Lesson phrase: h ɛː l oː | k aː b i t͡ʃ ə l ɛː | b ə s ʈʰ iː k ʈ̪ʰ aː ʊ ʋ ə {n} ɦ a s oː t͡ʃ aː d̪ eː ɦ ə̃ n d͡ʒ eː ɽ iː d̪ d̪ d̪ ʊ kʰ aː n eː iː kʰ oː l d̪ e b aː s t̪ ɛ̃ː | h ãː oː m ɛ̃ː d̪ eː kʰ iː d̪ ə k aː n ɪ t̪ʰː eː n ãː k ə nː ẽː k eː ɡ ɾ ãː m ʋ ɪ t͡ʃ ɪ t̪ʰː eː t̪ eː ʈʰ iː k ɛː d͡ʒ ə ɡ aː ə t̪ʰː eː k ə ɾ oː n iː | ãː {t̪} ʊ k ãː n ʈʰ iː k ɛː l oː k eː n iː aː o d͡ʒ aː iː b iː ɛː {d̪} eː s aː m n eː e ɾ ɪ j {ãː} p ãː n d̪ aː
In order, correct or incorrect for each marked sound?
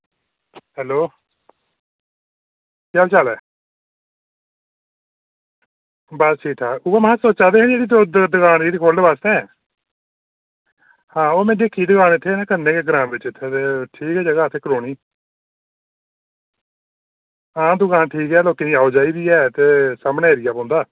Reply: incorrect: m, incorrect: d̪, incorrect: t̪, incorrect: aː

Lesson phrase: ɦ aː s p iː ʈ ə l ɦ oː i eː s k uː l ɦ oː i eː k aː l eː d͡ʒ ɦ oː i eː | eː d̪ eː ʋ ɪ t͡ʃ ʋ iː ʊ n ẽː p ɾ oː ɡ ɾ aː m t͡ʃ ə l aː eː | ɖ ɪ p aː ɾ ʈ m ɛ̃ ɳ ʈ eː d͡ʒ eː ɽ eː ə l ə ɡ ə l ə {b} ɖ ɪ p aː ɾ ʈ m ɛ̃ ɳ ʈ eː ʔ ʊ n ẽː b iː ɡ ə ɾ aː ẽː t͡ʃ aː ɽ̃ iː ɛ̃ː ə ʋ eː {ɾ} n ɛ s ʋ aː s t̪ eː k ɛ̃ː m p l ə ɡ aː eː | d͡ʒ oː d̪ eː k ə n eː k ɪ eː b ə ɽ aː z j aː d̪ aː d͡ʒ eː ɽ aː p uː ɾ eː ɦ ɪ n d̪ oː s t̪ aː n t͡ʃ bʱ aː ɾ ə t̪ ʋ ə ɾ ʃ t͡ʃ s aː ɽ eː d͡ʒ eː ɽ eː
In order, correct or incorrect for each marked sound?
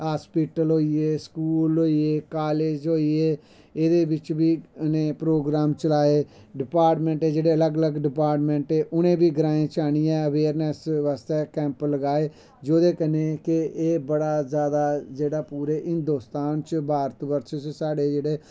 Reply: incorrect: ɡ, correct

